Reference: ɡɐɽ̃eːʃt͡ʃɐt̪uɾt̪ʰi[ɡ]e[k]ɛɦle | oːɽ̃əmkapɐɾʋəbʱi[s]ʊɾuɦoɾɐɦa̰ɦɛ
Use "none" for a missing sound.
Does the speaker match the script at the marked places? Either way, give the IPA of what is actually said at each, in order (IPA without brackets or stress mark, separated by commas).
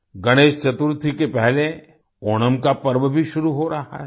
k, p, ʃ